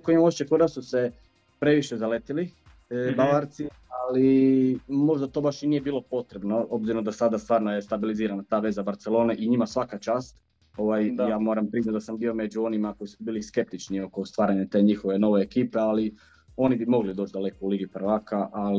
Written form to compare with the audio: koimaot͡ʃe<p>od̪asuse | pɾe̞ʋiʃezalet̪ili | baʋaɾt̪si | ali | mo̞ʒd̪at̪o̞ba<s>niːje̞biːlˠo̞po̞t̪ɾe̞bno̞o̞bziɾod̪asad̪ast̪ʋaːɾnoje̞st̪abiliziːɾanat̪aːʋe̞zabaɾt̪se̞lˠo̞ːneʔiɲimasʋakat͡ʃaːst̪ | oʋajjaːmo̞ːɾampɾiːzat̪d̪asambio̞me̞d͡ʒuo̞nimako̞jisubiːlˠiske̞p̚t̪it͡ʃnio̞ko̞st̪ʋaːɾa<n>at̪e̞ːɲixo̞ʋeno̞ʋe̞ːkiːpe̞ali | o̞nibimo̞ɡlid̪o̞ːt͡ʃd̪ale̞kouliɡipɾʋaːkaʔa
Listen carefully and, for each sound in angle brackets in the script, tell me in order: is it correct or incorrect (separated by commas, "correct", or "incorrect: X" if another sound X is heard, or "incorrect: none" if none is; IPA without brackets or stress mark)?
incorrect: k, incorrect: ʃ, incorrect: ɲ